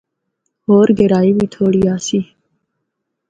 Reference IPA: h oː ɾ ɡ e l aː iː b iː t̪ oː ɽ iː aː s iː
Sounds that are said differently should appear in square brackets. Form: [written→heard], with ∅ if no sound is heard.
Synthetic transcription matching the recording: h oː ɾ ɡ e [l→ɾ] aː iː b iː [t̪→t̪ʰ] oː ɽ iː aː s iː